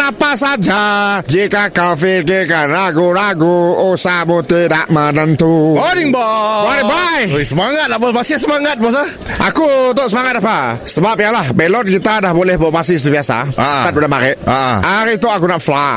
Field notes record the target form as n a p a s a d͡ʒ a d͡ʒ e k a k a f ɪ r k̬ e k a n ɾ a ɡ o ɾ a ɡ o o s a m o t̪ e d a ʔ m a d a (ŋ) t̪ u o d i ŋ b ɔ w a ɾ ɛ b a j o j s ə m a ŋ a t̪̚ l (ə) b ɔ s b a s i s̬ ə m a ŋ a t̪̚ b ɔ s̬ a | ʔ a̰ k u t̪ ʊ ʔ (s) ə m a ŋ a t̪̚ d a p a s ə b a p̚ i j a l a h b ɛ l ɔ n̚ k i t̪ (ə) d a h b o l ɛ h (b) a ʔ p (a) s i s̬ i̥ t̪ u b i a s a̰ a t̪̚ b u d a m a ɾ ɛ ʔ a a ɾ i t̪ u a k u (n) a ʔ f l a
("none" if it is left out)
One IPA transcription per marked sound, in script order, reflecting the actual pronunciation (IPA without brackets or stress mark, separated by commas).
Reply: n, a, s, a, b, a, n